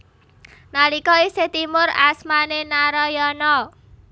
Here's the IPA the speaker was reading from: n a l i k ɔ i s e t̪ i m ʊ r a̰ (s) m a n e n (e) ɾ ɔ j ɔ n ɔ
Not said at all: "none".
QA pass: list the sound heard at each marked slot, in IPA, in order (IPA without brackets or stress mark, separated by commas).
s, a